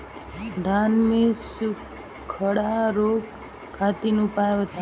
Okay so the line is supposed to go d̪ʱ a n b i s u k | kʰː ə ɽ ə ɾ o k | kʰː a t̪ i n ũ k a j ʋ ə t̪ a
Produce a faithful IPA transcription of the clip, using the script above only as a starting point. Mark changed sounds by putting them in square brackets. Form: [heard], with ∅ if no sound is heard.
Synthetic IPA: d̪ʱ a n [m] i s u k | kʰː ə ɽ [a] ɾ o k | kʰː a t̪ i n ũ [p] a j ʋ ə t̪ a

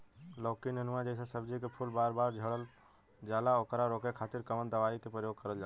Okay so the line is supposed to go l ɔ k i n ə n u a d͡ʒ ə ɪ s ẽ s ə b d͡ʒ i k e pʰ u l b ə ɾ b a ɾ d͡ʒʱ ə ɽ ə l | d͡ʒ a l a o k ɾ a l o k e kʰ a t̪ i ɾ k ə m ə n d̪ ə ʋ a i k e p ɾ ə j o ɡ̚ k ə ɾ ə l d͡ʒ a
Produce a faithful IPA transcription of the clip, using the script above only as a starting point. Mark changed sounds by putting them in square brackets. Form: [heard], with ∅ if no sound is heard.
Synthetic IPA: l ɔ k i n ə n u a d͡ʒ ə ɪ s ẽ s ə b d͡ʒ i k e pʰ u l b [a] ɾ b a ɾ d͡ʒʱ ə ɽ ə l | d͡ʒ a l a o k ɾ a [ɾ] o k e kʰ a t̪ i ɾ k ə m ə n d̪ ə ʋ a i k e p ɾ ə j o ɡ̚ k ə ɾ ə l d͡ʒ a

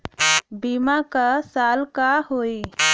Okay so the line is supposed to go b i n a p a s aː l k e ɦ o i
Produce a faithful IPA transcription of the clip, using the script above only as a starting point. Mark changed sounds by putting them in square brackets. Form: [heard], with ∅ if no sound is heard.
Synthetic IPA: b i [m] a [k] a s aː l k [a] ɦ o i

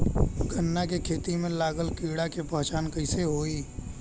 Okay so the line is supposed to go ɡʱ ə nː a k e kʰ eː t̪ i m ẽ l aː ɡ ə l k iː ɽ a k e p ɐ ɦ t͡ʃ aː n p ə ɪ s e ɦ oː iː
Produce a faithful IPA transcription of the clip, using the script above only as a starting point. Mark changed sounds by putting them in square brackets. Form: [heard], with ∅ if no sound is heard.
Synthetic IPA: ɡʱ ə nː a k e kʰ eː t̪ i m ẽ l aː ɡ ə l k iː ɽ a k e p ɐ ɦ t͡ʃ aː n [k] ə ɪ s e ɦ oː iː

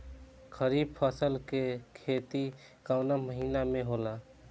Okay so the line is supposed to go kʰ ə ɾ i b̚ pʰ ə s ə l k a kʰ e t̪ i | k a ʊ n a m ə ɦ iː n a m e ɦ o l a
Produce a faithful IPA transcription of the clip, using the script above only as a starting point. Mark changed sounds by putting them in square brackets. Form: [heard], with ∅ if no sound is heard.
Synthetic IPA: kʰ ə ɾ i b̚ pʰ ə s ə l k [e] kʰ e t̪ i | k a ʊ n a m ə ɦ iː n a m e ɦ o l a

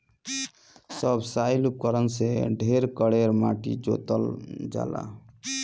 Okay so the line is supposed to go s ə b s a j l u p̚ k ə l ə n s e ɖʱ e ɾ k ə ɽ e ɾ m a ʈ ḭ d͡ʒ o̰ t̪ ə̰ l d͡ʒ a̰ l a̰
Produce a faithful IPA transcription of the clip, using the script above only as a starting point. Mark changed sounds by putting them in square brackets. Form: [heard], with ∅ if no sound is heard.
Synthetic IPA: s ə b s a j l u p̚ k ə [ɾ] ə n s e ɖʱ e ɾ k ə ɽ e ɾ m a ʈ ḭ d͡ʒ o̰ t̪ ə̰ l d͡ʒ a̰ l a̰

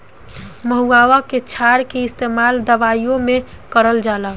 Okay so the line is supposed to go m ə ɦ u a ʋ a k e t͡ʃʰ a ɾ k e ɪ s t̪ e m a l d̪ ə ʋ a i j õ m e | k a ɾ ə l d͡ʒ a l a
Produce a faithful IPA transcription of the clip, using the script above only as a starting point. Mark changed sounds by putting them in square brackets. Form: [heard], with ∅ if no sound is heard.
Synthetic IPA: m ə ɦ u a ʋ a k e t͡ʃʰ a ɾ k e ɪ s t̪ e m a l d̪ ə ʋ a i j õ m e | k [ə] ɾ ə l d͡ʒ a l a

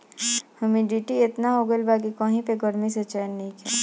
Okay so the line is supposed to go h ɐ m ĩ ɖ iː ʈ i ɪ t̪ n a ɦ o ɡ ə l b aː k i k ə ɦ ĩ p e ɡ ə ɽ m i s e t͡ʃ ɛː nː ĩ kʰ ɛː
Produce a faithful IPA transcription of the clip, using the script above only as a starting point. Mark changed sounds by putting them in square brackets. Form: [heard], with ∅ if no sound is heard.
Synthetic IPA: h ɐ m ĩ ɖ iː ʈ i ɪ t̪ n a ɦ o ɡ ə l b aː k i k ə ɦ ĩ p e ɡ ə [ɾ] m i s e t͡ʃ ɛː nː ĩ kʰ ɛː

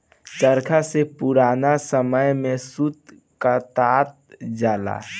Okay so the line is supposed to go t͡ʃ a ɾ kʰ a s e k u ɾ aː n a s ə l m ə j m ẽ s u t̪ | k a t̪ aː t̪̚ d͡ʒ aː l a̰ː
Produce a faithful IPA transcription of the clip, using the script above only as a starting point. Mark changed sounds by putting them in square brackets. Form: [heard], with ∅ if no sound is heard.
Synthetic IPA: t͡ʃ [ə] ɾ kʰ a s e [p] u ɾ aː n a s ə [∅] m ə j m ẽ s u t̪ | k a t̪ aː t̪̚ d͡ʒ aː l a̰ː

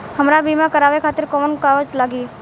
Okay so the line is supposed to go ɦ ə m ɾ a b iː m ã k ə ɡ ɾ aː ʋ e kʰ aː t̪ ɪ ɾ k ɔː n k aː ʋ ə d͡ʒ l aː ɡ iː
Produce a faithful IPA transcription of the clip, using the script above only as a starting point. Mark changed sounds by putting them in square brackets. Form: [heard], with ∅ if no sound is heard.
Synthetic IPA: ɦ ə m ɾ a b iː m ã k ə [∅] ɾ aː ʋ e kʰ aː t̪ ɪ ɾ k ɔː n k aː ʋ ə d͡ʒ l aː ɡ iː

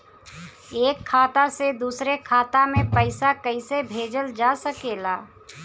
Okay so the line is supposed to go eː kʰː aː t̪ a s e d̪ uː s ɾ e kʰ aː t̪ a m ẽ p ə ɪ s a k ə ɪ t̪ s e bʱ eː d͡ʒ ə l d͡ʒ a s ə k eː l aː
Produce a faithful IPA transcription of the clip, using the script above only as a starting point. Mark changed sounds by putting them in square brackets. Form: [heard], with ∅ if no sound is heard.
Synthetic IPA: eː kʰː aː t̪ a s e d̪ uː s ɾ e kʰ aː t̪ a m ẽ p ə ɪ s a k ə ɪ [∅] s e bʱ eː d͡ʒ ə l d͡ʒ a s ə k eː l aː

